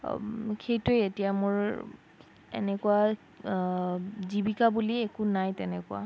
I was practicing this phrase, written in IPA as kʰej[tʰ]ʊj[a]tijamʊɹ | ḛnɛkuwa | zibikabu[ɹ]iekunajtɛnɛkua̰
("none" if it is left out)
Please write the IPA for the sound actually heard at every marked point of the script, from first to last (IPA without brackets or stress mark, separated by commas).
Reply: t, e, l